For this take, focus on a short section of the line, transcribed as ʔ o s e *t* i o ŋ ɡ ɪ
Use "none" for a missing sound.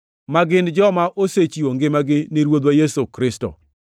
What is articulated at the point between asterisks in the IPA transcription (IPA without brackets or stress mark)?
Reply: t͡ʃ